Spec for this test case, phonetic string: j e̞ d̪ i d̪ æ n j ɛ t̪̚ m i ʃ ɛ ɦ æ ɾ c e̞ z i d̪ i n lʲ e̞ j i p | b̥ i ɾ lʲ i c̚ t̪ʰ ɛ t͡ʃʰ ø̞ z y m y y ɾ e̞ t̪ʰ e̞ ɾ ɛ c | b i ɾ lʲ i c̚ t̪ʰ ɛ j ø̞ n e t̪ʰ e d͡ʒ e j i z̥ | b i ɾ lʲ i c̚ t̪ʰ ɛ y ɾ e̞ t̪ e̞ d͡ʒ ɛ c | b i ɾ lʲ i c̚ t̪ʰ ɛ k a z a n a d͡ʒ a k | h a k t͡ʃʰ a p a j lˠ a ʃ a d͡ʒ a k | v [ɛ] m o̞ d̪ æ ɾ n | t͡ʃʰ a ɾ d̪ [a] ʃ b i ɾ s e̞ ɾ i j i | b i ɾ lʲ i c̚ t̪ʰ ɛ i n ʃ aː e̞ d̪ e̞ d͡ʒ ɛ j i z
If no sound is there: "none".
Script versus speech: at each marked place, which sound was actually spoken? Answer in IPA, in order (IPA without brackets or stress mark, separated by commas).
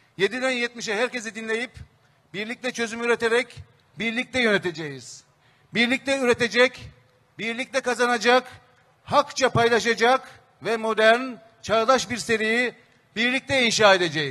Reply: ɛ, a